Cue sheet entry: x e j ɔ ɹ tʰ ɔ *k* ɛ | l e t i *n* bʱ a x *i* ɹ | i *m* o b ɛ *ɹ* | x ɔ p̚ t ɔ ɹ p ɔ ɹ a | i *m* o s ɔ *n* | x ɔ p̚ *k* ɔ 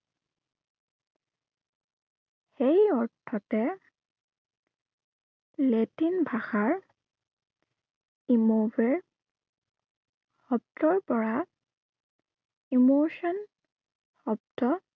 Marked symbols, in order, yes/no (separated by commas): no, yes, no, yes, yes, yes, yes, no